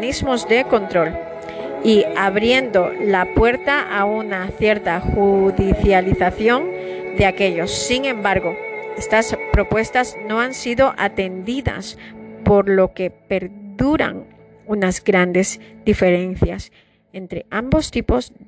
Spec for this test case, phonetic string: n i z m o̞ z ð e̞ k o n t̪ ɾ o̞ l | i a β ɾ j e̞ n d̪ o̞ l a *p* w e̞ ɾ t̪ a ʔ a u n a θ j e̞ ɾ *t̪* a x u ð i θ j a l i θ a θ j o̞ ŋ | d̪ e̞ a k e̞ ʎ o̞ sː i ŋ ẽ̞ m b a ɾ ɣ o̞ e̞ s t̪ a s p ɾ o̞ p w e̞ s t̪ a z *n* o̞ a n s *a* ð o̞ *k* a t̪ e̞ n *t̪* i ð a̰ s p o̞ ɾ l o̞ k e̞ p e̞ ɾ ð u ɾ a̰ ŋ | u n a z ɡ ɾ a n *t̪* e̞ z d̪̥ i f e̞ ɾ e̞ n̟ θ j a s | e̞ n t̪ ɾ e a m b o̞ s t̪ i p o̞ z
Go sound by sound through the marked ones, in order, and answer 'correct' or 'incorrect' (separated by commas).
correct, correct, correct, incorrect, incorrect, incorrect, incorrect